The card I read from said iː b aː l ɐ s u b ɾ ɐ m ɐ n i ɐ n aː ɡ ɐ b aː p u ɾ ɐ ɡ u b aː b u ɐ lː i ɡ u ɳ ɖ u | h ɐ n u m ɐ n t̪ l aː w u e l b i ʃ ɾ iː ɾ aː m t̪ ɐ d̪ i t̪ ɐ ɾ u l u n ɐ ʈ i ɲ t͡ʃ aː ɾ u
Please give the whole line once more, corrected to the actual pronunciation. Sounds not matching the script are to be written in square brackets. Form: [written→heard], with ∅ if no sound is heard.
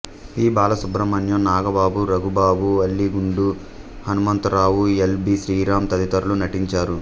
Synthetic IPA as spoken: iː b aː l ɐ s u b ɾ ɐ m ɐ n [i→j] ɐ n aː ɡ ɐ b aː [p→b] u ɾ ɐ ɡ u b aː b u ɐ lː i ɡ u ɳ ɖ u | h ɐ n u m ɐ n t̪ [l→ɾ] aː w u e l b i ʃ ɾ iː ɾ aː m t̪ ɐ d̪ i t̪ ɐ ɾ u l u n ɐ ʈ i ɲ t͡ʃ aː ɾ u